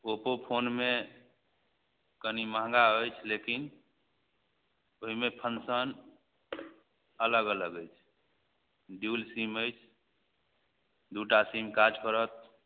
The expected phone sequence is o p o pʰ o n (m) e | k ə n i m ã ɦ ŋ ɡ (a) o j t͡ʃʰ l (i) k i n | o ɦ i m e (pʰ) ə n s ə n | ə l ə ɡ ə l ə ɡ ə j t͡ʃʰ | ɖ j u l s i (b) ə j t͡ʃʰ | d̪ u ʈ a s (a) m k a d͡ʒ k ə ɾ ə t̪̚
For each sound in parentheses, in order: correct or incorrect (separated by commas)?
correct, correct, incorrect, correct, incorrect, incorrect